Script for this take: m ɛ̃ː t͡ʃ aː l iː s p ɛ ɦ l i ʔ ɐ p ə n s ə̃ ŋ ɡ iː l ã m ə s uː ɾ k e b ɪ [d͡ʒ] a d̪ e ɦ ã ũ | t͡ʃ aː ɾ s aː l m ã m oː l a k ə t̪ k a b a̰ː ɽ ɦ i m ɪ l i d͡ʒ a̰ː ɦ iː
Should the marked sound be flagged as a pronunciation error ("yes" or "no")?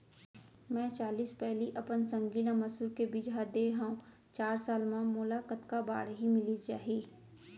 no